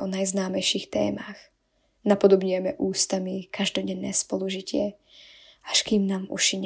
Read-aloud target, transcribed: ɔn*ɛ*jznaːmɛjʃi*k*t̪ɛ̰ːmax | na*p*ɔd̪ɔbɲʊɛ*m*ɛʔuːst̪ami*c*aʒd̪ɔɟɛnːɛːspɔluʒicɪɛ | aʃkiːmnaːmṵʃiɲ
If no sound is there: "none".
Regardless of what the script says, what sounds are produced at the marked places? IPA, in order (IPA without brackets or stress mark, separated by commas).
a, x, p, m, k